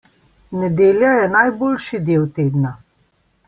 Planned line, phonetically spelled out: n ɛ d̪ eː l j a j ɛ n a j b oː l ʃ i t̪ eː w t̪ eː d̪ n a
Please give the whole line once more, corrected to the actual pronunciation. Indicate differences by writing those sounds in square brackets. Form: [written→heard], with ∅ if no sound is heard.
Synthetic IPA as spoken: n ɛ d̪ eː l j a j ɛ n a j b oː l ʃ i [t̪→d̪] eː w t̪ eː d̪ n a